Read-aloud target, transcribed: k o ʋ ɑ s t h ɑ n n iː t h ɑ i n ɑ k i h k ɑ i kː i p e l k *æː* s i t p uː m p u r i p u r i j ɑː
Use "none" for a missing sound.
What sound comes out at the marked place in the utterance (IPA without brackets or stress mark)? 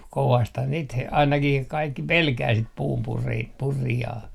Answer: æː